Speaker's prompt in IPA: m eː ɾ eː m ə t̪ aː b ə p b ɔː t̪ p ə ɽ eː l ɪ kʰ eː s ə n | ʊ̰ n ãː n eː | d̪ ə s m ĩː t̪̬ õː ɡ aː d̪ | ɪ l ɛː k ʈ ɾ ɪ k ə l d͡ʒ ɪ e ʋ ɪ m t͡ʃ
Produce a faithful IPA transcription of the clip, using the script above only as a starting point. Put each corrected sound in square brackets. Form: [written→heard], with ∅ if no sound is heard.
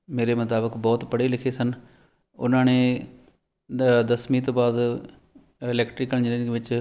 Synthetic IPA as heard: m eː ɾ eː m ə t̪ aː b ə [p→k] b ɔː t̪ p ə ɽ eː l ɪ kʰ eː s ə n | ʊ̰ n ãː n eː | d̪ ə s m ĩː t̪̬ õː [ɡ→b] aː d̪ | ɪ l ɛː k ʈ ɾ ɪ k ə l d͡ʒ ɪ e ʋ ɪ [m→∅] t͡ʃ